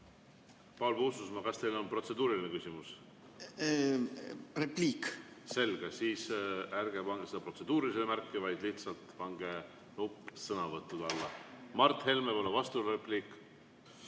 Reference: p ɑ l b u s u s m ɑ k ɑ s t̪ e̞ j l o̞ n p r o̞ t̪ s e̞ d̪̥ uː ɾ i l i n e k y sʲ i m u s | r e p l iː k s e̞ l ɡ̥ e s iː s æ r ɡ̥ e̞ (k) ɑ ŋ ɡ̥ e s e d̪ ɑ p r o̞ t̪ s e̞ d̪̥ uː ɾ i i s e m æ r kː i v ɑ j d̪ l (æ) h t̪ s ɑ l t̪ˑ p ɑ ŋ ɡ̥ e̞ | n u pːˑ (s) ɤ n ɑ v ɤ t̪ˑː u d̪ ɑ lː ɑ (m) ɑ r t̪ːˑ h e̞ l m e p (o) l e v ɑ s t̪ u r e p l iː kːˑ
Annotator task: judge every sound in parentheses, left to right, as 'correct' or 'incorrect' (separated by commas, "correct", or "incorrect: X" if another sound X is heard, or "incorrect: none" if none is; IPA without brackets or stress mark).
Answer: incorrect: p, incorrect: i, correct, correct, correct